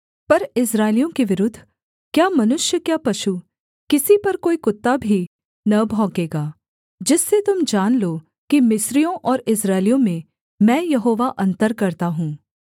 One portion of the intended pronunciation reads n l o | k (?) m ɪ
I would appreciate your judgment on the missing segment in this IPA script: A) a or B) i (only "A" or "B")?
B